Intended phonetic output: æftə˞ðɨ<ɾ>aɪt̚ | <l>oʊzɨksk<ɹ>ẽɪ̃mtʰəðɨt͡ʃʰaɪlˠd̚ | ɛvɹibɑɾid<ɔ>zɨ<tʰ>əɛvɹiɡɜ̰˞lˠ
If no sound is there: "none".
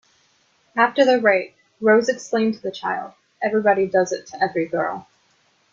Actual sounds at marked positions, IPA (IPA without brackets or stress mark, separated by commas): ɹ, ɹ, l, ʌ, tʰ